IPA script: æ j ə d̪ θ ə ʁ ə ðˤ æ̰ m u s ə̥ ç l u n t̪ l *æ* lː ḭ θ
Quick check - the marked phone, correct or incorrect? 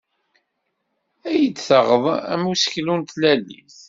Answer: correct